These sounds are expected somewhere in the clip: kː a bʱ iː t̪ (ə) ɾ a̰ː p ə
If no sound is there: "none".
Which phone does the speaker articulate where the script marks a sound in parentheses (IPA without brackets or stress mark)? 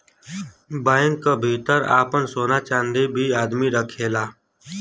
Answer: ə